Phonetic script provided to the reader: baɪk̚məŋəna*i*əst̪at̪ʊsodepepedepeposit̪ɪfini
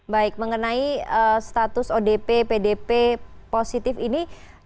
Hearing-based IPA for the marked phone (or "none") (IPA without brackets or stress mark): i